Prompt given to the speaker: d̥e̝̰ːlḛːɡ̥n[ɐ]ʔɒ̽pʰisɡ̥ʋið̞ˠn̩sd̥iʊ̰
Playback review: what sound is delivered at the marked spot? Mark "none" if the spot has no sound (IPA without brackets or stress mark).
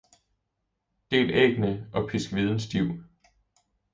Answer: ə